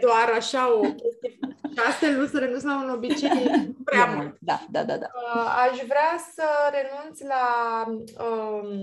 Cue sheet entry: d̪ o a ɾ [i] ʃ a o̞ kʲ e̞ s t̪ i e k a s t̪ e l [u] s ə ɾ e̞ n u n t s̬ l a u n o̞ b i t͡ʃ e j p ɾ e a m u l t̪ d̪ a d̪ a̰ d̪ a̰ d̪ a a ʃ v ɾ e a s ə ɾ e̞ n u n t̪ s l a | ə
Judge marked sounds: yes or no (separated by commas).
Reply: no, yes